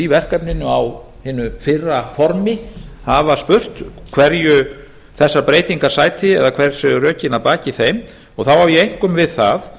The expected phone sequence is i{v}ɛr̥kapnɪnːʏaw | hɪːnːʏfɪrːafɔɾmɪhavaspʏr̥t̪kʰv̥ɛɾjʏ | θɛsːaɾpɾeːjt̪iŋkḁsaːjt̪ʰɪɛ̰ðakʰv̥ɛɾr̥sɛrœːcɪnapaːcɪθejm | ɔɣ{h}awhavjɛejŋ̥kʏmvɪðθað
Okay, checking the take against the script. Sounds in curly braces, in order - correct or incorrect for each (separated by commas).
correct, incorrect